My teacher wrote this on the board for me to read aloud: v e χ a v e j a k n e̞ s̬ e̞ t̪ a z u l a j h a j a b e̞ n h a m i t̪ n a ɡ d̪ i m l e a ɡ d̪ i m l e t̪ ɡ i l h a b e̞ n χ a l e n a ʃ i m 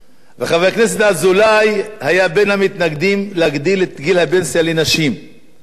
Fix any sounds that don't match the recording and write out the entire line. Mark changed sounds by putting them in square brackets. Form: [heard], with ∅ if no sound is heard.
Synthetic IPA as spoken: v e χ a v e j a k n e̞ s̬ e̞ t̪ a z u l a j h a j a b e̞ n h a m i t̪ n a ɡ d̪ i m l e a ɡ d̪ i [∅] l e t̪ ɡ i l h a b e̞ n [s] a l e n a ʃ i m